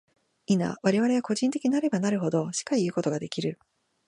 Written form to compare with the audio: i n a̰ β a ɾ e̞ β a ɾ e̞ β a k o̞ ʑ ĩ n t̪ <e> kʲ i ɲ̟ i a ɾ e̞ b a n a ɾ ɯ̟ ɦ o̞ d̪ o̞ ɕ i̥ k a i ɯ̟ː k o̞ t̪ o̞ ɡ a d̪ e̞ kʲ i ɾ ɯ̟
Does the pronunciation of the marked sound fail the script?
no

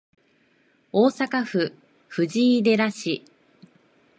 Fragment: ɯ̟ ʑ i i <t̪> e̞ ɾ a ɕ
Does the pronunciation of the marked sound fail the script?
yes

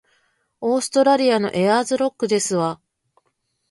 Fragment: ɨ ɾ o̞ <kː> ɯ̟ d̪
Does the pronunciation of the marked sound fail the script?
no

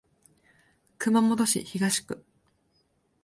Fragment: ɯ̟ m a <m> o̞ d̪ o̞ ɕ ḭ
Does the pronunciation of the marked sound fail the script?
no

